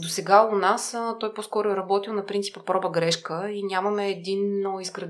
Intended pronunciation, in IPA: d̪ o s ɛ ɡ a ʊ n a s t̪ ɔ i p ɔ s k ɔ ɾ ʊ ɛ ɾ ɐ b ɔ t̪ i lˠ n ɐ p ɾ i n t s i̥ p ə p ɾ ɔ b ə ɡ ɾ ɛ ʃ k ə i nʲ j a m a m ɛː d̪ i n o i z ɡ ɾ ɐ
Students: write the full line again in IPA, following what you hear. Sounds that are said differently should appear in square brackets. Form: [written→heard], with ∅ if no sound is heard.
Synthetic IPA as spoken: d̪ o s ɛ ɡ a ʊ n a s t̪ ɔ [i→j] p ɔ s k ɔ ɾ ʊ ɛ ɾ ɐ b ɔ t̪ i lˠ n ɐ p ɾ i n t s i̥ p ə p ɾ ɔ b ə ɡ ɾ ɛ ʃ k ə i nʲ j a m [a→ɐ] m ɛː d̪ i n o i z ɡ ɾ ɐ